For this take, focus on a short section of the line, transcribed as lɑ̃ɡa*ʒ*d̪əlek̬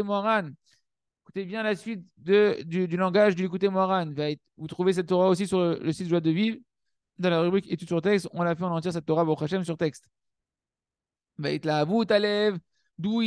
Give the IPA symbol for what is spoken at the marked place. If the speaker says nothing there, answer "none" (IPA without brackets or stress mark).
ʒ